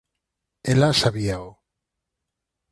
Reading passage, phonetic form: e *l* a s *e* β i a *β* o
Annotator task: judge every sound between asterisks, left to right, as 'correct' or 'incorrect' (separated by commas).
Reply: correct, incorrect, incorrect